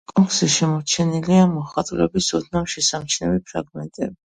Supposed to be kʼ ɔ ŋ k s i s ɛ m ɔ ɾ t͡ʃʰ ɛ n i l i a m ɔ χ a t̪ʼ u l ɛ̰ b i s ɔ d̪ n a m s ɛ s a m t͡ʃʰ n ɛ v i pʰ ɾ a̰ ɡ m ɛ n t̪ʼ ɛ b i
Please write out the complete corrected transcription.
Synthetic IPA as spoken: kʼ ɔ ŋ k s i ʃ ɛ m ɔ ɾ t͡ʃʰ ɛ n i l i a m ɔ χ a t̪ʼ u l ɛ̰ b i s ɔ d̪ n a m ʃ ɛ s a m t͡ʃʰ n ɛ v i pʰ ɾ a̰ ɡ m ɛ n t̪ʼ ɛ b i